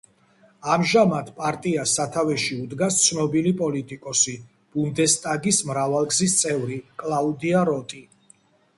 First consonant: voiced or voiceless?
voiced